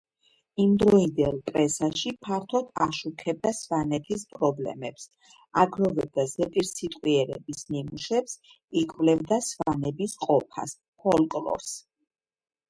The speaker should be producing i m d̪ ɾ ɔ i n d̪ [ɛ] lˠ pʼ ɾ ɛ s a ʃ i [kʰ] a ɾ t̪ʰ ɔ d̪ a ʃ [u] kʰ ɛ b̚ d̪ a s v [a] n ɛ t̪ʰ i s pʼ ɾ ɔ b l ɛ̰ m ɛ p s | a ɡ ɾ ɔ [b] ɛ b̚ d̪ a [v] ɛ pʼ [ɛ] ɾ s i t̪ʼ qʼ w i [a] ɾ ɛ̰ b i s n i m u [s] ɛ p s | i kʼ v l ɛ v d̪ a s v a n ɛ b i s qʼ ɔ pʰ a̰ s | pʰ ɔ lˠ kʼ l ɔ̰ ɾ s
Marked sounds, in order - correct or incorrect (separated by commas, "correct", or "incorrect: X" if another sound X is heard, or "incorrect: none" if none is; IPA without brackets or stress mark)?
correct, incorrect: pʰ, correct, correct, incorrect: v, incorrect: z, incorrect: i, incorrect: ɛ, incorrect: ʃ